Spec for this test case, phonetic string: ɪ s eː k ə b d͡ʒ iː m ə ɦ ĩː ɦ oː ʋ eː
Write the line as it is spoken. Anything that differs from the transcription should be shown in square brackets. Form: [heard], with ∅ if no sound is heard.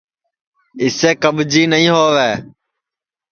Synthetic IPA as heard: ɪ s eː k ə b d͡ʒ iː [n] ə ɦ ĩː ɦ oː ʋ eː